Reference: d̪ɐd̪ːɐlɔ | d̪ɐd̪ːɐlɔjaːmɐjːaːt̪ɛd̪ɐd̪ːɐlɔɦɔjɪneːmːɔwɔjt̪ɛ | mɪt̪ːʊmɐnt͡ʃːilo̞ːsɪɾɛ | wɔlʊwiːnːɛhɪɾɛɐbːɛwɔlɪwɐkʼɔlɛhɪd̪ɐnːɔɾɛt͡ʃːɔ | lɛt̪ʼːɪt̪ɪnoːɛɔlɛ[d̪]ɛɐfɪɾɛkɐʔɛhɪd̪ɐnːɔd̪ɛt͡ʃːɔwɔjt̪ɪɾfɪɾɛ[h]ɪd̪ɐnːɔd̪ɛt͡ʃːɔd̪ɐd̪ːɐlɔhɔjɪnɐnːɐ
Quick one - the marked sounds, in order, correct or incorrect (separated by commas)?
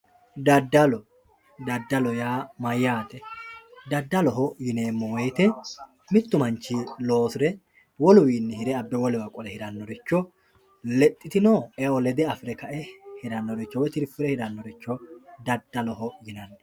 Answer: correct, correct